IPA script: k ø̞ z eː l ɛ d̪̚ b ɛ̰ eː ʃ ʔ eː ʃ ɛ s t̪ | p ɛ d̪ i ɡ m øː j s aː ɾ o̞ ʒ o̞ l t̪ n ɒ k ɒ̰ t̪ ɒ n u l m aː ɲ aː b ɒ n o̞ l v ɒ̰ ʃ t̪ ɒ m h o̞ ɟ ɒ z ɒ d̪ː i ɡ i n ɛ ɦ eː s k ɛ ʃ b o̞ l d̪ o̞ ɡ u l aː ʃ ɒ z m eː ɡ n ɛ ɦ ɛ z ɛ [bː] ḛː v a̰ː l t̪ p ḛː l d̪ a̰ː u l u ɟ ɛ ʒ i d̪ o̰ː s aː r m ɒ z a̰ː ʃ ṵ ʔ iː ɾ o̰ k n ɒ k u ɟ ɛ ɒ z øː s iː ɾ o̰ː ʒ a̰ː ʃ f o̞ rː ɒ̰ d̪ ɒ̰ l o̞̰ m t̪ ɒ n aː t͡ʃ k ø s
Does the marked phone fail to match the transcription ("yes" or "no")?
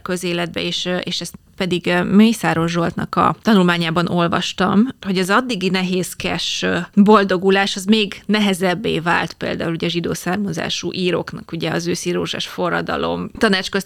no